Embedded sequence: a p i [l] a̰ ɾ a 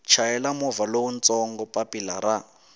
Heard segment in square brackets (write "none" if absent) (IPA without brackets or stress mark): l